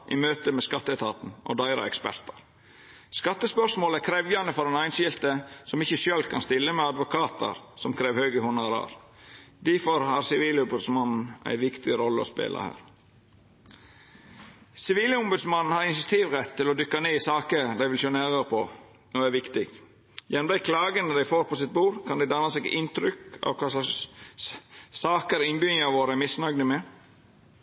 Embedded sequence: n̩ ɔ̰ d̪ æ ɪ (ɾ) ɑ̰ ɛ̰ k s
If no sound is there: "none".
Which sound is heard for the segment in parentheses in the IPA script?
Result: ɾ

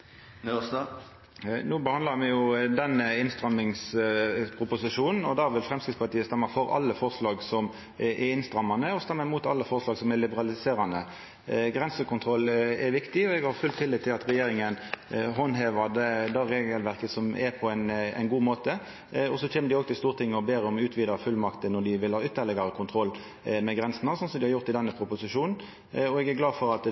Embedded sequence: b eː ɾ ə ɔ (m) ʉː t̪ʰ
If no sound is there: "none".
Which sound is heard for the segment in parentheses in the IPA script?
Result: m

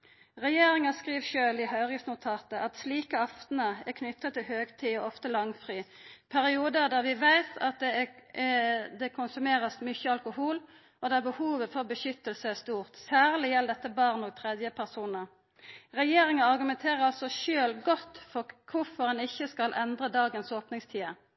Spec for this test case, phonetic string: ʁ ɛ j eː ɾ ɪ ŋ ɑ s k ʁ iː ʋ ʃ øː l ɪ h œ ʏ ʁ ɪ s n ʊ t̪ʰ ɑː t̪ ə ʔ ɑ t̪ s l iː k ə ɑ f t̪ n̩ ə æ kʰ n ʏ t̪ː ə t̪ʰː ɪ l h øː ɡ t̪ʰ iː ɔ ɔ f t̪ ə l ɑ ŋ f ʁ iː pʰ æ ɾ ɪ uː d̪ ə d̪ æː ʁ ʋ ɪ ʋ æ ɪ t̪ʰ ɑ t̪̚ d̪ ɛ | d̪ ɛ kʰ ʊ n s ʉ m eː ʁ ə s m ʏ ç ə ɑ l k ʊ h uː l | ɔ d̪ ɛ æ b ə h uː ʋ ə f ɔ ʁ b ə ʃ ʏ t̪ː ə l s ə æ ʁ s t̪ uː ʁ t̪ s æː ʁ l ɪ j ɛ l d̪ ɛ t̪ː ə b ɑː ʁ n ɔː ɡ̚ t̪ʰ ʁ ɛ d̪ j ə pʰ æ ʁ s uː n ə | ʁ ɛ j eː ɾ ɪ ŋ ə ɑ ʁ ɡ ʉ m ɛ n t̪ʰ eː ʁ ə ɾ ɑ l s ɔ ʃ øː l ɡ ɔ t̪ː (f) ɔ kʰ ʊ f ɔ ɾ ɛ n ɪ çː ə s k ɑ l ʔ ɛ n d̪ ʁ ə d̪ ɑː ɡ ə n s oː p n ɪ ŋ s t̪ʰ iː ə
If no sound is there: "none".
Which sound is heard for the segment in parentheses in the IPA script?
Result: f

